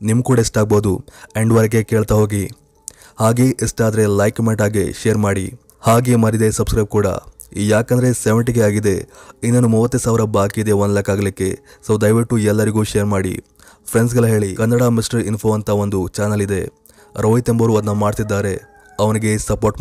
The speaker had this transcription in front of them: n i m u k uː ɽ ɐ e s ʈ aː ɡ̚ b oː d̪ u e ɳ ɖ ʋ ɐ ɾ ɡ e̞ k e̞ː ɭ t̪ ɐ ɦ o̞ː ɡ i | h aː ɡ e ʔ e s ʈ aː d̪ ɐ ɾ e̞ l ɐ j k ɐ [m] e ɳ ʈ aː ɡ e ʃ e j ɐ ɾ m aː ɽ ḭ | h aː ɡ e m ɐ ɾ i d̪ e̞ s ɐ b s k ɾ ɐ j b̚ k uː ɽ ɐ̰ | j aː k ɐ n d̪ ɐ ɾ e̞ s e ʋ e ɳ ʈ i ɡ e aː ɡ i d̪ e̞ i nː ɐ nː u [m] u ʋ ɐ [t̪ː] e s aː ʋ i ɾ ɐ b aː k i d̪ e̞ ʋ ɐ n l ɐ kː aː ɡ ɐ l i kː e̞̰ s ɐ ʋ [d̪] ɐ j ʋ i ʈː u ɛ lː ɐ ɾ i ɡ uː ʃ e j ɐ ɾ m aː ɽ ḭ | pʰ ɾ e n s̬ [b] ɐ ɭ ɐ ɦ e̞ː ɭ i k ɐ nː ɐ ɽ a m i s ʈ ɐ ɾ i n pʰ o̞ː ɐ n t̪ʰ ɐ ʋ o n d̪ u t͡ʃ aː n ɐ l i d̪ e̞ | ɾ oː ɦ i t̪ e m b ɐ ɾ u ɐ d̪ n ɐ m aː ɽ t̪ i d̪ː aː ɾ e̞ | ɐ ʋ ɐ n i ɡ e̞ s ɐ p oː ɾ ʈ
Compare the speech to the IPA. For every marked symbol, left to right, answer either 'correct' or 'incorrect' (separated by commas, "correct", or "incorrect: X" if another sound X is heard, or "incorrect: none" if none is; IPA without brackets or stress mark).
correct, correct, correct, correct, incorrect: ɡ